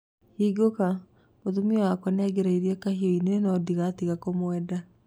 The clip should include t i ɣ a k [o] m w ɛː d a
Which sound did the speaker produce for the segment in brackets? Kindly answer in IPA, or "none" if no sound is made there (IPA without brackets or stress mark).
o